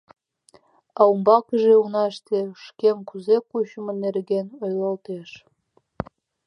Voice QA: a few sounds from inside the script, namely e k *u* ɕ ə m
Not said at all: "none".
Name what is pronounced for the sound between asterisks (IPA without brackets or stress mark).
u